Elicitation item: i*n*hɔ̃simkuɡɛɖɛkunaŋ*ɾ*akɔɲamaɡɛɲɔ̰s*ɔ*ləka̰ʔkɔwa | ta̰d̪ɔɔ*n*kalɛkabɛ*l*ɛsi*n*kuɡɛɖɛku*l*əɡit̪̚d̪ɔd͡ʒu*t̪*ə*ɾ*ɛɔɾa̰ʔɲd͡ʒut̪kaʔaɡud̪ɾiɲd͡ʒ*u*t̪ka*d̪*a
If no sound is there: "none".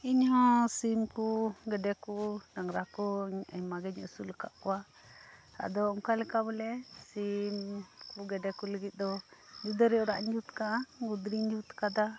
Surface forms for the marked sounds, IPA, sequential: ɲ, ɾ, u, ŋ, l, m, l, d̪, ɾ, u, d̪

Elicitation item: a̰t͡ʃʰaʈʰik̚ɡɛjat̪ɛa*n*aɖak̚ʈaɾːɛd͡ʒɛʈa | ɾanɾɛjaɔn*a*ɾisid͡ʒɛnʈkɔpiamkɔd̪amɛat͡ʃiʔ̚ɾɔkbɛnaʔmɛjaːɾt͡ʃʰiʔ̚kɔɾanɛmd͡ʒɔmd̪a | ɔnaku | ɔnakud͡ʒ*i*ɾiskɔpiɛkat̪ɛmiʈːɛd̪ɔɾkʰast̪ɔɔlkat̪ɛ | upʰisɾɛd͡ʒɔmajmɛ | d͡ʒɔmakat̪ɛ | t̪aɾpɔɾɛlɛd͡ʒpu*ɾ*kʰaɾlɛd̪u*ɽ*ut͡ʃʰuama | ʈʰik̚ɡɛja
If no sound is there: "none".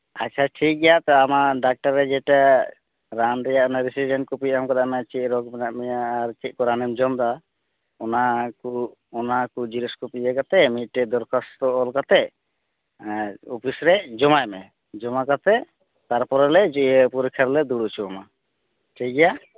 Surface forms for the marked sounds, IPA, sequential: m, a, i, ɾ, ɽ

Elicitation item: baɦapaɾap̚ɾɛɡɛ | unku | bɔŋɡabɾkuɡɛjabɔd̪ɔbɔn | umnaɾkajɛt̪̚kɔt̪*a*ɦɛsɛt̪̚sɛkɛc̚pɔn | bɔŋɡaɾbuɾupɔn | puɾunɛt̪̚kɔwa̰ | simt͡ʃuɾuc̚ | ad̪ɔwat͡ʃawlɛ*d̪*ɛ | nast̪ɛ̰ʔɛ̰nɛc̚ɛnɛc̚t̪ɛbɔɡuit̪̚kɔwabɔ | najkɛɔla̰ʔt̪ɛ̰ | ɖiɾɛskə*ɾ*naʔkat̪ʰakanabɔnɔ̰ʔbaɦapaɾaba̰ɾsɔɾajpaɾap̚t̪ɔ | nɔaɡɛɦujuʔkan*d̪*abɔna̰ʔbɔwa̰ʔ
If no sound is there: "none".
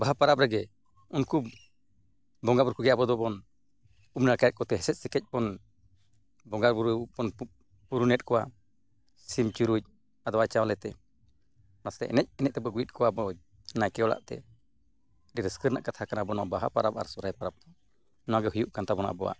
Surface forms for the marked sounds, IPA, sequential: ɛ, t̪, ɾ, t̪

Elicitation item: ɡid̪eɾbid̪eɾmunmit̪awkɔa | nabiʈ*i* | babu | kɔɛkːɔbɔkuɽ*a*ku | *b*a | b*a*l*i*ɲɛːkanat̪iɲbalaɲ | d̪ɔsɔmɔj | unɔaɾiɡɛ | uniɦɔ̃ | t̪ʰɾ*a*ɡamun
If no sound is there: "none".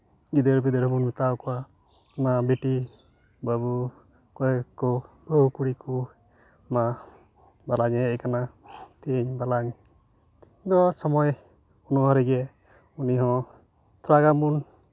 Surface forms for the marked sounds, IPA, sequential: i, i, m, a, a, a

